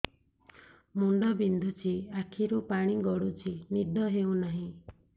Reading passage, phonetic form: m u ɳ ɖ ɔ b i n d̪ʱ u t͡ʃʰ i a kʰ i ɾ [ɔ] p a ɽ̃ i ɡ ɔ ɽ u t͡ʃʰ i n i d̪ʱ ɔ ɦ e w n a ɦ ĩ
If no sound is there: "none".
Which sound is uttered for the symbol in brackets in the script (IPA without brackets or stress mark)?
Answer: u